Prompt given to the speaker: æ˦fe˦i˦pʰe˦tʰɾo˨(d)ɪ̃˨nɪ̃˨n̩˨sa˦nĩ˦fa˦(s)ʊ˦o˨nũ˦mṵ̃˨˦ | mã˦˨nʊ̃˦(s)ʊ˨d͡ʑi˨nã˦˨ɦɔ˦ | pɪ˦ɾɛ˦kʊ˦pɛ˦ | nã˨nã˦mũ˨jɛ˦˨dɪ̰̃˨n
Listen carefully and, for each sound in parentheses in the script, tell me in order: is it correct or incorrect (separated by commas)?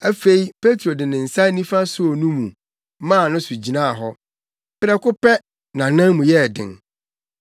correct, correct, correct